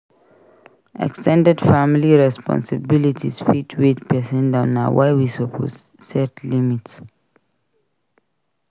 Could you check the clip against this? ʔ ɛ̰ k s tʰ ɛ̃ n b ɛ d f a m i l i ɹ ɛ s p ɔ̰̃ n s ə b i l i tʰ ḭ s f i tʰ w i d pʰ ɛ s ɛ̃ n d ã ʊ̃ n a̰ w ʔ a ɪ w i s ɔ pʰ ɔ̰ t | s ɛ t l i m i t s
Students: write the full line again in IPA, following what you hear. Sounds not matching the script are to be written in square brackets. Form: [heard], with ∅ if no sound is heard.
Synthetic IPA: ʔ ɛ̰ k s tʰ ɛ̃ n [d] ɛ d f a m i l i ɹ ɛ s p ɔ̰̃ n s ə b i l i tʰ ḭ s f i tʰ w i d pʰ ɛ s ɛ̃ n d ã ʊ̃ n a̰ w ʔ a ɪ w i s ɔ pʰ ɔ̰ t | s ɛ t l i m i t s